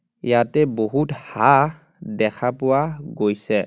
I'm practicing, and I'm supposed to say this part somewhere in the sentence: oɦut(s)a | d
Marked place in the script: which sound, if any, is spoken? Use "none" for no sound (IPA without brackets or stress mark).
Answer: h